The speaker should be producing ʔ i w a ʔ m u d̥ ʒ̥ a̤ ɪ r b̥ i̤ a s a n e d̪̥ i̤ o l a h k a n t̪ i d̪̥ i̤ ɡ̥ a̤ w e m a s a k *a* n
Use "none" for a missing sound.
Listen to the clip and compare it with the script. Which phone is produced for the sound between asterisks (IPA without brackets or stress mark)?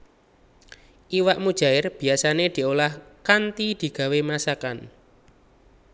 a